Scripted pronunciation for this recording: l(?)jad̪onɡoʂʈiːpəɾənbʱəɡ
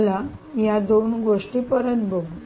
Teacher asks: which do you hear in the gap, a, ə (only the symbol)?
a